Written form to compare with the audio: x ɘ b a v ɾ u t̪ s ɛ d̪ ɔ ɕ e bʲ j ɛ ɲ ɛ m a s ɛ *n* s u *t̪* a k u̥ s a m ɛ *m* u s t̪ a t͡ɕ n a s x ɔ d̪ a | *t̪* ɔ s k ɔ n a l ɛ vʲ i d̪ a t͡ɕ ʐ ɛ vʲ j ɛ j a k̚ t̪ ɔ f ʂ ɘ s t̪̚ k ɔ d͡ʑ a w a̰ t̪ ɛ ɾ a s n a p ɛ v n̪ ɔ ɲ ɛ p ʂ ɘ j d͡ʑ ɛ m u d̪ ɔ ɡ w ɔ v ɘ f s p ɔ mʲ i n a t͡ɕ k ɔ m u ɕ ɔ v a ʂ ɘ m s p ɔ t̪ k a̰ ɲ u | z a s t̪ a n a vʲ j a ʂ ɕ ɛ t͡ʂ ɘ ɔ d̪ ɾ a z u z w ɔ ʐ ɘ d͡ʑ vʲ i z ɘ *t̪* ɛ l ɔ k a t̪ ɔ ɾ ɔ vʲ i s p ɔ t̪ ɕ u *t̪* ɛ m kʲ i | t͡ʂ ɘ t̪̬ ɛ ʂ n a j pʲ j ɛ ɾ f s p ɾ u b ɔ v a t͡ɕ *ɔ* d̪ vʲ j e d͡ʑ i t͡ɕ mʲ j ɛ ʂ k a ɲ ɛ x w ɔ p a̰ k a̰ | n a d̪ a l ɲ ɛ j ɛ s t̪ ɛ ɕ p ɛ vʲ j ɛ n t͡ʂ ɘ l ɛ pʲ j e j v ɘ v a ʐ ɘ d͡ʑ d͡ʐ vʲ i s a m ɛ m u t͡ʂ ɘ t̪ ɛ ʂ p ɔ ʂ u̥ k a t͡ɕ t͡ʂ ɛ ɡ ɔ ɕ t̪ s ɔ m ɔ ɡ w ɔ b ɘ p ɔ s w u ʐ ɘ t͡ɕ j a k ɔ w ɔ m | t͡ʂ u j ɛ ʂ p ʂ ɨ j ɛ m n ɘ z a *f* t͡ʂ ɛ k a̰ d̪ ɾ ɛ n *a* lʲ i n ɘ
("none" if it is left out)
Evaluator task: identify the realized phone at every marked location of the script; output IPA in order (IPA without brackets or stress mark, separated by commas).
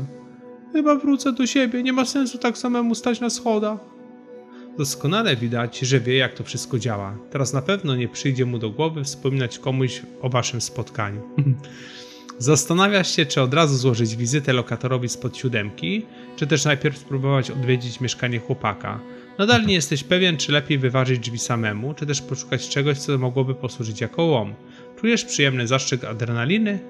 n, t̪, m, d̪, t̪, d̪, ɔ, ʂ, a